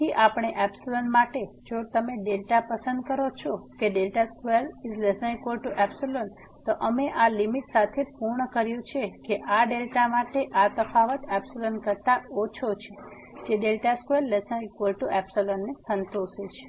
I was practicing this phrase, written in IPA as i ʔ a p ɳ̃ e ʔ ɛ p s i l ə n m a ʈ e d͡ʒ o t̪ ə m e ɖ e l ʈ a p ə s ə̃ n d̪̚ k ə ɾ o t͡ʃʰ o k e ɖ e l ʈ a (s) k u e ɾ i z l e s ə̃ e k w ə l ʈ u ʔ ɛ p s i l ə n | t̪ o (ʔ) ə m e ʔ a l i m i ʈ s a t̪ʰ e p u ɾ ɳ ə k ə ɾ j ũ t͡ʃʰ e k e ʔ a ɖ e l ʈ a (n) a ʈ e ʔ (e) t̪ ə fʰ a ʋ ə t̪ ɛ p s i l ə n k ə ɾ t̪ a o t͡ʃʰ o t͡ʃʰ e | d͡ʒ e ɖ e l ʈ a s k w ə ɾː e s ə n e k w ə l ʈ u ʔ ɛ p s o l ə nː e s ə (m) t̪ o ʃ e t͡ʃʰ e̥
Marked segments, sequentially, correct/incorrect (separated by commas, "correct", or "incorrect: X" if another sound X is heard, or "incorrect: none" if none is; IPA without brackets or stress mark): correct, correct, incorrect: m, incorrect: a, incorrect: n